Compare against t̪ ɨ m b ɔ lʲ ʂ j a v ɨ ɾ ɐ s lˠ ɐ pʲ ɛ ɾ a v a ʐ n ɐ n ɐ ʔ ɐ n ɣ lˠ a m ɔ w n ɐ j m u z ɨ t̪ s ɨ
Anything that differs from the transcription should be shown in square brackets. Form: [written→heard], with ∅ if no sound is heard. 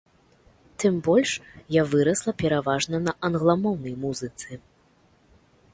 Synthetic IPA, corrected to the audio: t̪ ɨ m b ɔ lʲ ʂ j a v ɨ ɾ ɐ s lˠ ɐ pʲ ɛ ɾ a v a ʐ n ɐ n ɐ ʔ ɐ n ɣ lˠ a m ɔ w n ɐ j m u z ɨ t̪ s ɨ